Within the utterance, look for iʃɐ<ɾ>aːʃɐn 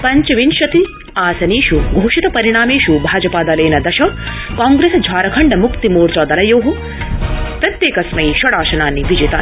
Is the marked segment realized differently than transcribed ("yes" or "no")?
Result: yes